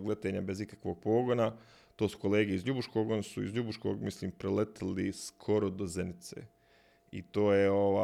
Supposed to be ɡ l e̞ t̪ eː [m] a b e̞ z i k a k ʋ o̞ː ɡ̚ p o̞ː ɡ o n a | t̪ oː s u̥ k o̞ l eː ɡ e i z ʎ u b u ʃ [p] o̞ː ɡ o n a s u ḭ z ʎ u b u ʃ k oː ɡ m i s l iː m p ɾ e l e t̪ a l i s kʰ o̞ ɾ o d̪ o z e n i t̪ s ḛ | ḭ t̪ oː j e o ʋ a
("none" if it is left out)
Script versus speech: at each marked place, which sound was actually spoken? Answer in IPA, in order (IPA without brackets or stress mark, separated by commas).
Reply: ɲ, k